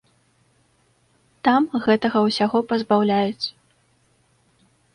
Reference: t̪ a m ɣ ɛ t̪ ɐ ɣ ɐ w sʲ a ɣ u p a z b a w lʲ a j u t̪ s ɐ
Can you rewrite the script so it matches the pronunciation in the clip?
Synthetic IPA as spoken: t̪ a m ɣ ɛ t̪ ɐ ɣ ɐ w sʲ a ɣ ɔ p ɐ z b a w lʲ a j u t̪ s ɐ